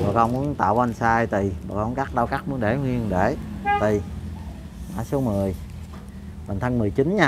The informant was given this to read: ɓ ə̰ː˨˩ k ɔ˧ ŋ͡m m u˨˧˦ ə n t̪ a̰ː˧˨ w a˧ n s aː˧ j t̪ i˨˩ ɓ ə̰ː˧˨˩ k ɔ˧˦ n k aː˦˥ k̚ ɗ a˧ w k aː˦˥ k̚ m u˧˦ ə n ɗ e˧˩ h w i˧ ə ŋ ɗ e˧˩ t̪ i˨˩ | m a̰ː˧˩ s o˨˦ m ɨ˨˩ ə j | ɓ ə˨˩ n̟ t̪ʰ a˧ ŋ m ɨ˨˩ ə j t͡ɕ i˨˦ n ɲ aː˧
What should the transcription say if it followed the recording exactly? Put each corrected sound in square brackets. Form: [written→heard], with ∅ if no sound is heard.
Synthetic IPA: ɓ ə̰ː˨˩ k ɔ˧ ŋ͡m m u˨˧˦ ə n t̪ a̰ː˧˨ w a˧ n s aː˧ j t̪ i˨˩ ɓ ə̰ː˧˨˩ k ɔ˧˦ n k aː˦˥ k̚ ɗ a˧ w k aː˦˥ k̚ m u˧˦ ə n ɗ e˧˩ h w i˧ ə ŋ ɗ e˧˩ t̪ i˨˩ | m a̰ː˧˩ s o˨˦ m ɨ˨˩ ə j | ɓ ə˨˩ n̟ t̪ʰ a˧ ŋ m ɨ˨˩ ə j t͡ɕ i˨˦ n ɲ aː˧

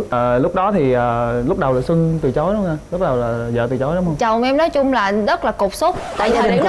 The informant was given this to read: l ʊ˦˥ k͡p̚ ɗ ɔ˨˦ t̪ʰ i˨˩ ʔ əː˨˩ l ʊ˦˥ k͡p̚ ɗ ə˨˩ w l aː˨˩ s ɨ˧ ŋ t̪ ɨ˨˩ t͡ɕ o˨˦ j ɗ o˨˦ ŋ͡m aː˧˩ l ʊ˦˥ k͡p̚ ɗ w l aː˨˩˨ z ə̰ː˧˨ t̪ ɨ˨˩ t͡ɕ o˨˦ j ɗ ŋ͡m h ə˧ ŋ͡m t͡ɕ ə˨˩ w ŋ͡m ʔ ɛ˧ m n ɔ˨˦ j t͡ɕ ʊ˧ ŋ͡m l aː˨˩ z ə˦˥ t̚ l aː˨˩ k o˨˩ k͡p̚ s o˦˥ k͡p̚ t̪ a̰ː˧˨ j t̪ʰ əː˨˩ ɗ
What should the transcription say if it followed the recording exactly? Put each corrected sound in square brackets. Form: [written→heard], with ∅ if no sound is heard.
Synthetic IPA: l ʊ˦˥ k͡p̚ ɗ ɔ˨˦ t̪ʰ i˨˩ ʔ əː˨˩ l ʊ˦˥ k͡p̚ ɗ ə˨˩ w l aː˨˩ s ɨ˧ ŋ t̪ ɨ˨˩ t͡ɕ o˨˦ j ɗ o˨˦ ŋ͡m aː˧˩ l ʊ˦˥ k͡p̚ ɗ w l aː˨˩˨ z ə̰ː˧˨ t̪ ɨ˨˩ t͡ɕ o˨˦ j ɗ ŋ͡m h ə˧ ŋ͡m t͡ɕ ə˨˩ w ŋ͡m ʔ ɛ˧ m n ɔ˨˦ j t͡ɕ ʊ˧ ŋ͡m l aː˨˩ z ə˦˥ t̚ l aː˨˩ k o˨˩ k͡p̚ s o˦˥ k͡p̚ t̪ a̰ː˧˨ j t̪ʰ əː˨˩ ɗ

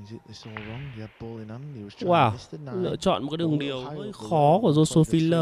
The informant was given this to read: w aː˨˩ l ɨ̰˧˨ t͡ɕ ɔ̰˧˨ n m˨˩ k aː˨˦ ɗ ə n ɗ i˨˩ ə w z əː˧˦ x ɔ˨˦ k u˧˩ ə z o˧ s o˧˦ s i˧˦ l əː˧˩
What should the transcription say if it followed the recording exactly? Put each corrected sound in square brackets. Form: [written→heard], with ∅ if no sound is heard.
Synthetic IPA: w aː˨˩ l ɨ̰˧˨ t͡ɕ ɔ̰˧˨ n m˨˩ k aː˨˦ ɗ ə [n→ŋ] ɗ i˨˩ ə w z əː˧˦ x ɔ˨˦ k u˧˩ ə z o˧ s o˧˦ [s→f] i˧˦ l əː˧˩

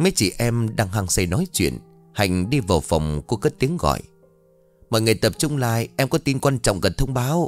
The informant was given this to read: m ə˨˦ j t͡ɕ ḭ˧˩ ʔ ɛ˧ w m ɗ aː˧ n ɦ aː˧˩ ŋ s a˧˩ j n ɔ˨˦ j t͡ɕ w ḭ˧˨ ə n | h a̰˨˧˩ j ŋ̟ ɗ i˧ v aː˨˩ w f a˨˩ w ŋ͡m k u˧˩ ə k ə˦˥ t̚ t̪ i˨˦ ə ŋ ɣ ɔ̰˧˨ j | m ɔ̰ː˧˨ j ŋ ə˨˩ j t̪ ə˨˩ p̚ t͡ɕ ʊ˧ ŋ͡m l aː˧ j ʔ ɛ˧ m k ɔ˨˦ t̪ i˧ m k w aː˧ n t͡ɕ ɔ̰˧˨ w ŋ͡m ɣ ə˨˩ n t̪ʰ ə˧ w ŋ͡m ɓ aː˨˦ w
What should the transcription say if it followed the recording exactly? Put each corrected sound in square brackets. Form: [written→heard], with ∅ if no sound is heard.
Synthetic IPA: m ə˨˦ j t͡ɕ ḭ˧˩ ʔ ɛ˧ [w→∅] m ɗ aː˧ [n→ŋ] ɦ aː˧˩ ŋ s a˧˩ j n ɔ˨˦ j t͡ɕ w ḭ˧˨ ə n | h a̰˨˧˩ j ŋ̟ ɗ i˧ v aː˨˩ w f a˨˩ w ŋ͡m k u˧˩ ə k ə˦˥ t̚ t̪ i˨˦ ə ŋ ɣ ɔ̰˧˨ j | m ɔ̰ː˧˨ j ŋ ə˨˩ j t̪ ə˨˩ p̚ t͡ɕ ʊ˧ ŋ͡m l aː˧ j ʔ ɛ˧ m k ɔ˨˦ t̪ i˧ [m→n] k w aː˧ n t͡ɕ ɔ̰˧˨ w ŋ͡m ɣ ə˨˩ n t̪ʰ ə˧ w ŋ͡m ɓ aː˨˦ w

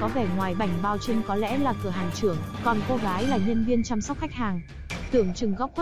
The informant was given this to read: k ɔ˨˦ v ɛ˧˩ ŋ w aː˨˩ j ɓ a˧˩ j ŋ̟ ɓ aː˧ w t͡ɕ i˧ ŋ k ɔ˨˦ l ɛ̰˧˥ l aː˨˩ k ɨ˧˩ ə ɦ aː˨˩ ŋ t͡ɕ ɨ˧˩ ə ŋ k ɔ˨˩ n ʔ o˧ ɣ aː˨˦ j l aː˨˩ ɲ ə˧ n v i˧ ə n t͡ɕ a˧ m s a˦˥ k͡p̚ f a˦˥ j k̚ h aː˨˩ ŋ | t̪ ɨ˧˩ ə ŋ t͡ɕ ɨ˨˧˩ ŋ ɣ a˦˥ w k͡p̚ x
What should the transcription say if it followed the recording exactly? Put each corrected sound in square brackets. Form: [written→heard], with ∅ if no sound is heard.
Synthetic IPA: k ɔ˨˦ v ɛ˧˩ ŋ w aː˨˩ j ɓ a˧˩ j ŋ̟ ɓ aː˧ w t͡ɕ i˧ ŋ k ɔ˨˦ l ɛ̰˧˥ l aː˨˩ k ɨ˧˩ ə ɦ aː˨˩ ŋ t͡ɕ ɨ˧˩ ə ŋ k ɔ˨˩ n [ʔ→k] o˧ ɣ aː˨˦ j l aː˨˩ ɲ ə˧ n v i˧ ə n t͡ɕ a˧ m s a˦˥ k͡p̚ [f→x] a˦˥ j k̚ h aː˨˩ ŋ | t̪ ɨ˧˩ ə ŋ t͡ɕ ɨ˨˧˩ ŋ ɣ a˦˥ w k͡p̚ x

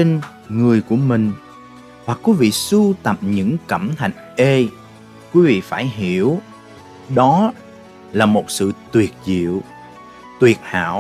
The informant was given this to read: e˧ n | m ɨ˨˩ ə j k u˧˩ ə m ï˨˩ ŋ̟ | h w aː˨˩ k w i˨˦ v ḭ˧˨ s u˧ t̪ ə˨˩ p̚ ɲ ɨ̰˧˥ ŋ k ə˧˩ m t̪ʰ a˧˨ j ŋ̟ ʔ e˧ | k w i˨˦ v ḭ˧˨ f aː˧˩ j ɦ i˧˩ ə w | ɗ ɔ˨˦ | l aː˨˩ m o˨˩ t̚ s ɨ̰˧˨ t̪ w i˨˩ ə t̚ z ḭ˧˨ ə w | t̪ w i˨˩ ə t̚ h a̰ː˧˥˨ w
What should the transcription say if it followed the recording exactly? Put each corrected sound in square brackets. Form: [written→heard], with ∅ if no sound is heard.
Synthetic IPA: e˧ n | [m→ŋ] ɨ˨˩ ə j k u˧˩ ə m ï˨˩ ŋ̟ | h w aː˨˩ k w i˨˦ v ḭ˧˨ s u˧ t̪ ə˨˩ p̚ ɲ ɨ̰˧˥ ŋ k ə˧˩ m t̪ʰ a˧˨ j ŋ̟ ʔ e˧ | k w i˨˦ v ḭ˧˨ f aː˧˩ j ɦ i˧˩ ə w | ɗ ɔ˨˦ | l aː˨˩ m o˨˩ t̚ s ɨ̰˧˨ t̪ w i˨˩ ə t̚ z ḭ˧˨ ə w | t̪ w i˨˩ ə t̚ h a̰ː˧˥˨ w

